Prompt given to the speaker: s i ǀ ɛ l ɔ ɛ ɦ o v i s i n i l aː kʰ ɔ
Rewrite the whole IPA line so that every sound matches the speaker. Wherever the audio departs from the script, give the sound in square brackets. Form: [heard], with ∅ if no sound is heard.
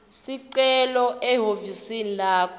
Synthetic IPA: s i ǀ ɛ l ɔ ɛ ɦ o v i s i n i l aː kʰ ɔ